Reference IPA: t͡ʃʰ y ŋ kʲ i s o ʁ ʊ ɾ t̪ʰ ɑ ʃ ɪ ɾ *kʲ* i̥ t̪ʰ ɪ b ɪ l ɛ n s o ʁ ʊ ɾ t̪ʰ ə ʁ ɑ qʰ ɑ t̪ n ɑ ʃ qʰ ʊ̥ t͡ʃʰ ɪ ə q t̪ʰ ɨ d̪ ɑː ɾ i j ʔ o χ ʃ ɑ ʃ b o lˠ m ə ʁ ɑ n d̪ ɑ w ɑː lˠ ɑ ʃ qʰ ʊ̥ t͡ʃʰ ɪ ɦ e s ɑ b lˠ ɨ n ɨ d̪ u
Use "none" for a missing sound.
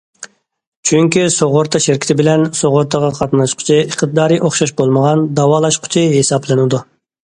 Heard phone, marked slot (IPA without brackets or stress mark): kʲ